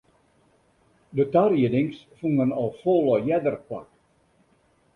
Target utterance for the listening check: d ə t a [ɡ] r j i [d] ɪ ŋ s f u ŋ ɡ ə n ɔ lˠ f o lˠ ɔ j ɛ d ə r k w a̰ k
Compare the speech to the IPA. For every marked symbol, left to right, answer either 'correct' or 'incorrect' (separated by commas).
incorrect, correct